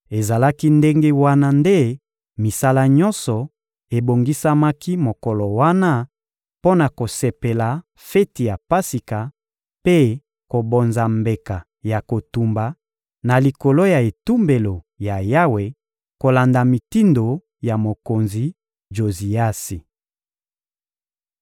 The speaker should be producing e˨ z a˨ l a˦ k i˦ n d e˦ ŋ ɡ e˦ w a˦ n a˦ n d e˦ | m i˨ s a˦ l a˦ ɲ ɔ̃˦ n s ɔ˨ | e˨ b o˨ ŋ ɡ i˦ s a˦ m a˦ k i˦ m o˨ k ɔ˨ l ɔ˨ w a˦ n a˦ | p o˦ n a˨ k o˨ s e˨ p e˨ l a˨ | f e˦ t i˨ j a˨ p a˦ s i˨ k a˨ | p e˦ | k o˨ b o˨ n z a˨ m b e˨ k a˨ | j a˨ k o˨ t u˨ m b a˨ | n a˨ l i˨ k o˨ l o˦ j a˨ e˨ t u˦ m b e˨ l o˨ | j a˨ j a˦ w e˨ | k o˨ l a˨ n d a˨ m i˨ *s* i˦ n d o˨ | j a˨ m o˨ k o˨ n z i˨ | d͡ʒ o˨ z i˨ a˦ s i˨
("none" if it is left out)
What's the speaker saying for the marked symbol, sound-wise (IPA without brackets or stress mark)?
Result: t